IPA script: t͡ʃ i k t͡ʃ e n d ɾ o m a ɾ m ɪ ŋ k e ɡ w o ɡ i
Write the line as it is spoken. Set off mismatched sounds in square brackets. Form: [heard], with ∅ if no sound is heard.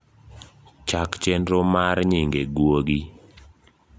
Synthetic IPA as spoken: t͡ʃ [a] k t͡ʃ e n d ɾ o m a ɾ [ɲ] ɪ ŋ [ɡ] e ɡ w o ɡ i